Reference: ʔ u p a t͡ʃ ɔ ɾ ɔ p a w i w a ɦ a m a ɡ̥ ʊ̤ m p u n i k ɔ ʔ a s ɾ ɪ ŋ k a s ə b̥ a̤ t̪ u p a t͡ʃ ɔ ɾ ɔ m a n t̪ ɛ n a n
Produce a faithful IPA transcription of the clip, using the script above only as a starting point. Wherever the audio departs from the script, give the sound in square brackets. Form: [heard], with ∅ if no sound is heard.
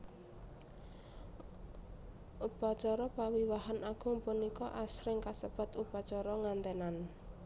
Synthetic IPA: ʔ u p a t͡ʃ ɔ ɾ ɔ p a w i w a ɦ a [n] a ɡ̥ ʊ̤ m p u n i k ɔ ʔ a s ɾ ɪ ŋ k a s ə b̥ a̤ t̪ u p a t͡ʃ ɔ ɾ ɔ [ŋ] a n t̪ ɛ n a n